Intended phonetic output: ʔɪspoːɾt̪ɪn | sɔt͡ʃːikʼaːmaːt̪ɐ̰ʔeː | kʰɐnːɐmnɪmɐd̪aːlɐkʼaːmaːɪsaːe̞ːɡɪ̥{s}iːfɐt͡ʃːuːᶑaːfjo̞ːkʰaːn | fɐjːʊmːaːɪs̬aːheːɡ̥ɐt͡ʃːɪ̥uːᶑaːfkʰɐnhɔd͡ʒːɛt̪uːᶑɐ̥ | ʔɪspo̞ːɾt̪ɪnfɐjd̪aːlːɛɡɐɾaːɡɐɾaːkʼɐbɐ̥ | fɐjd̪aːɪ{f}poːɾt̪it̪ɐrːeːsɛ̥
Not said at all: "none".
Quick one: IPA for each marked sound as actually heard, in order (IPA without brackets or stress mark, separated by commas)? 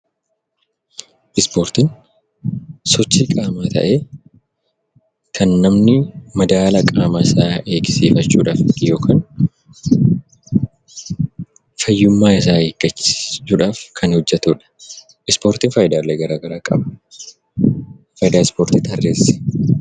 s, s